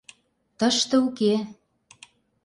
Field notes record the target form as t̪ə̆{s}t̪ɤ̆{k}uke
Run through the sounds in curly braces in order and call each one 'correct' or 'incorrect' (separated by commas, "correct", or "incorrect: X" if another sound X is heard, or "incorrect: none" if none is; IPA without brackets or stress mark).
incorrect: ʃ, incorrect: none